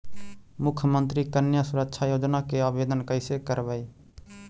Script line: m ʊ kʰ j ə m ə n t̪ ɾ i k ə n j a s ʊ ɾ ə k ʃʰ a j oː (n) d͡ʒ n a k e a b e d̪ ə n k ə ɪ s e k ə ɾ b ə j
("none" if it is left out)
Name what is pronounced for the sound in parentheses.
none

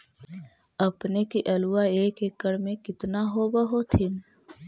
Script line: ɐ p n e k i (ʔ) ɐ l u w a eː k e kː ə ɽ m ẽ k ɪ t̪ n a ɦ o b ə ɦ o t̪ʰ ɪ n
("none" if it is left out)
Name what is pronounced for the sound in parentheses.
ʔ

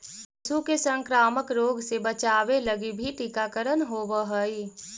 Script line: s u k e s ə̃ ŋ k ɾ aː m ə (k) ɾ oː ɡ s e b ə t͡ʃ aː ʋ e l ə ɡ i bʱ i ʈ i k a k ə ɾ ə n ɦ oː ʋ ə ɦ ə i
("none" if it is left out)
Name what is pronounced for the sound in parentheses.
k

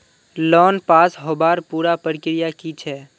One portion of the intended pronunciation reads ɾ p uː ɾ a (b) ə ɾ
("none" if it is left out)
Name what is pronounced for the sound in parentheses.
p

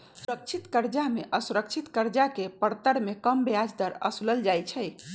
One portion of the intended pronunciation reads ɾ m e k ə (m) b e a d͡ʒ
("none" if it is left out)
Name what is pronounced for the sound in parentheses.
m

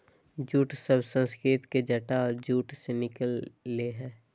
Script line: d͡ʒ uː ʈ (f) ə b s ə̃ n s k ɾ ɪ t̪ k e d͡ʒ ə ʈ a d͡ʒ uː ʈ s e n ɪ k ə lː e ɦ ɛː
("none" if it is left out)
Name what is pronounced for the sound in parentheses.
s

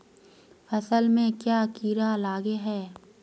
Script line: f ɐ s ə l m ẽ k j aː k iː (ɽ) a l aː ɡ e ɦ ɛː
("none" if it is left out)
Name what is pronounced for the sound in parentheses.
ɾ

